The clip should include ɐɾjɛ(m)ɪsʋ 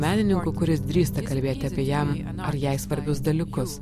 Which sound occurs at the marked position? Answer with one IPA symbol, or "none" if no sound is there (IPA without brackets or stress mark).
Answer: none